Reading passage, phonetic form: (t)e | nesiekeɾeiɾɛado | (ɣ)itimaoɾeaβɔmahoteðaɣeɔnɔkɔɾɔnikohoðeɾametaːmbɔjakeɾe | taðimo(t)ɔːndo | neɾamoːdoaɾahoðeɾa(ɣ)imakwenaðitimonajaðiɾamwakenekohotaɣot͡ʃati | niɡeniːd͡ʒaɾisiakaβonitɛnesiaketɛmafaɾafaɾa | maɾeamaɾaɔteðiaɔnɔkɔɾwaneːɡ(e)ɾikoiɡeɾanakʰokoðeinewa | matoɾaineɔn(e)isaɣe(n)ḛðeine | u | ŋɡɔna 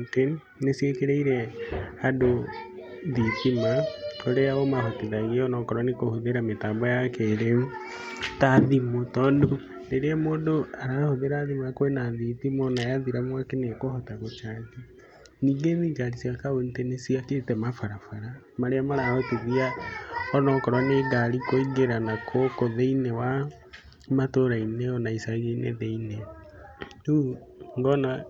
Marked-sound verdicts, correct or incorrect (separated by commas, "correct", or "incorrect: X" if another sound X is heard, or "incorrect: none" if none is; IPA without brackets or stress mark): correct, incorrect: ð, correct, incorrect: ð, incorrect: a, incorrect: a, correct